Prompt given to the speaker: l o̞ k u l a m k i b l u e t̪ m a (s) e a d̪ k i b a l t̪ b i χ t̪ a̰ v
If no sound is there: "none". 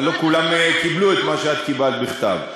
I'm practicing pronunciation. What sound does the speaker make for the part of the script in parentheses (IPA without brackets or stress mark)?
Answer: ʃ